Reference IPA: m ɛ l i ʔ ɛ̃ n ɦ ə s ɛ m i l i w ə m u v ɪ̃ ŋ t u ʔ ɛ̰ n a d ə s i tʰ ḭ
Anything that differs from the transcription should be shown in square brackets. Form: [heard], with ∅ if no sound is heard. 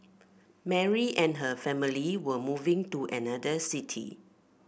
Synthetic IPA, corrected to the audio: m ɛ [ɹ] i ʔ ɛ̃ n ɦ ə [f] ɛ m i l i w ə m u v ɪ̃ ŋ t u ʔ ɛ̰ n a d ə s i tʰ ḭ